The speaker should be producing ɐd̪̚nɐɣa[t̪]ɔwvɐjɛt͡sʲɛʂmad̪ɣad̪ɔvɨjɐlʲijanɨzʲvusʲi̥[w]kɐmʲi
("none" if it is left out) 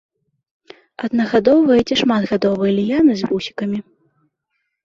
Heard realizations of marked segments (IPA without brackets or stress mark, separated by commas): d̪, none